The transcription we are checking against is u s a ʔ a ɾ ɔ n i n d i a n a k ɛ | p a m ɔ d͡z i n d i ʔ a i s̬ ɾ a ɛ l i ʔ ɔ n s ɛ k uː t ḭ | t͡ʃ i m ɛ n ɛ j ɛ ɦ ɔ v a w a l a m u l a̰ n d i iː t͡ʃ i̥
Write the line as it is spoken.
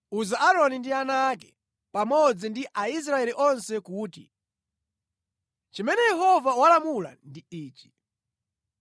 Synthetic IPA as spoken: u z a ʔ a ɾ ɔ n i n d i a n a k ɛ | p a m ɔ d͡z i n d i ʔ a i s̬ ɾ a ɛ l i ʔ ɔ n s ɛ k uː t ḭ | t͡ʃ i m ɛ n ɛ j ɛ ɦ ɔ v a w a l a m u l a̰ n d i iː t͡ʃ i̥